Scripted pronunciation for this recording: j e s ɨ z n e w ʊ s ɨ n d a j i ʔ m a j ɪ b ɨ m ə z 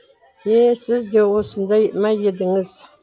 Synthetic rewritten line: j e s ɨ z d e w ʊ s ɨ n d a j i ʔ m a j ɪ d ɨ ŋ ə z